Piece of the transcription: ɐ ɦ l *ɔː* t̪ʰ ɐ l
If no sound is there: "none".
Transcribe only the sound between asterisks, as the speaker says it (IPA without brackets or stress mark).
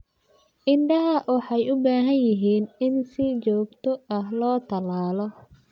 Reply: ɔː